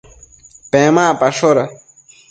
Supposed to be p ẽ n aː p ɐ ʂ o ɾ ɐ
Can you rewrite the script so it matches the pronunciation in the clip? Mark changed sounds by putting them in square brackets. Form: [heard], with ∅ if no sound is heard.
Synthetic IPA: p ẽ [m] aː p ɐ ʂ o ɾ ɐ